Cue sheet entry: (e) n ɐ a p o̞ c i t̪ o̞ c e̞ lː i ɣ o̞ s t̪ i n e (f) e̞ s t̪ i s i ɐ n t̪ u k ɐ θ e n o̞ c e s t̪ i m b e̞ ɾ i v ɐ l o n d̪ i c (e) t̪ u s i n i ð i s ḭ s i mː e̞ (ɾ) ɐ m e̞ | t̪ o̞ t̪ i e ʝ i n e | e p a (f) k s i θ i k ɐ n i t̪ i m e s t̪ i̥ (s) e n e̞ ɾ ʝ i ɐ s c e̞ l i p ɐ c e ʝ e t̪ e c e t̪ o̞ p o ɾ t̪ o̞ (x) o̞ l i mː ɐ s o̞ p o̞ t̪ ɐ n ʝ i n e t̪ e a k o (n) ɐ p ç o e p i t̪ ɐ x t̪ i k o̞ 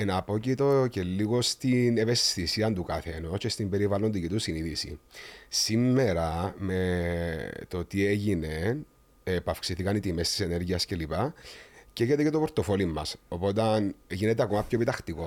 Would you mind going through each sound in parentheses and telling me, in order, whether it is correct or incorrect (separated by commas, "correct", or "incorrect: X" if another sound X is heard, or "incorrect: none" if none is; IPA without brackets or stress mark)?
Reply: correct, incorrect: v, incorrect: i, correct, correct, correct, incorrect: f, incorrect: m